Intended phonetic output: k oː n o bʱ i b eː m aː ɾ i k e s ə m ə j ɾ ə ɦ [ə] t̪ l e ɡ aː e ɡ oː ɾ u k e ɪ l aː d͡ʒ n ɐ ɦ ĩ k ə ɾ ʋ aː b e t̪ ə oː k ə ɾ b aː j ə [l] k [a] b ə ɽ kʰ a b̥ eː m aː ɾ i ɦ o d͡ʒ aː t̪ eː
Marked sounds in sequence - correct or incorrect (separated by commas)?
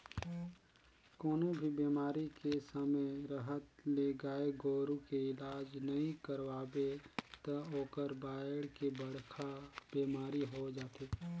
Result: correct, incorrect, incorrect